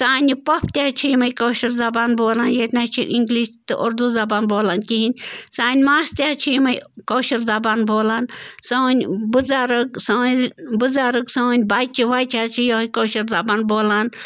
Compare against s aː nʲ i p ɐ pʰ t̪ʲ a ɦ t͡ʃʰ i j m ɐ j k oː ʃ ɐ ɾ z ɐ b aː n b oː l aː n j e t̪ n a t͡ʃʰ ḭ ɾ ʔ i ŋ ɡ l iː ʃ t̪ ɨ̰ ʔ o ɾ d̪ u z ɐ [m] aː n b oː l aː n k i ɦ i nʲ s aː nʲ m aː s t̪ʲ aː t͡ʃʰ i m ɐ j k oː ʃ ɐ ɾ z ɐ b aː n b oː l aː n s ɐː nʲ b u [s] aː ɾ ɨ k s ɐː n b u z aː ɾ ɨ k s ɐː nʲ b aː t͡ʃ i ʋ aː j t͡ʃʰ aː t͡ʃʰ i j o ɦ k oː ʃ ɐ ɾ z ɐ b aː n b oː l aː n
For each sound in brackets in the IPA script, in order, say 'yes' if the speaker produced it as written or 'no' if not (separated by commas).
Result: no, no